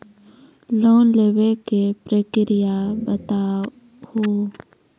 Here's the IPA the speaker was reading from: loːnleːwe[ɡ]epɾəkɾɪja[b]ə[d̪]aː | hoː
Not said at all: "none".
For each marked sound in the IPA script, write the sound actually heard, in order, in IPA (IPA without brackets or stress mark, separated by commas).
k, b, t̪